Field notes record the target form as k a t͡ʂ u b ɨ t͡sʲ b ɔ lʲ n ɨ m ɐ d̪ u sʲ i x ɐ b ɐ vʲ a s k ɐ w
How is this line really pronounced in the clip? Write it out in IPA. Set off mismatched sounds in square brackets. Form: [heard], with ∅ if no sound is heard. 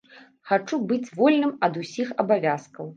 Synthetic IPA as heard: [x] a t͡ʂ u b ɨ t͡sʲ [v] ɔ lʲ n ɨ m ɐ d̪ u sʲ i x ɐ b [a] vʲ a s k ɐ w